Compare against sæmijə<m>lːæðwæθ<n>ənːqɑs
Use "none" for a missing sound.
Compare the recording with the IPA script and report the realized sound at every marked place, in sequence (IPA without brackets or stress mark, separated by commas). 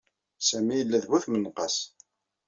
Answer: none, m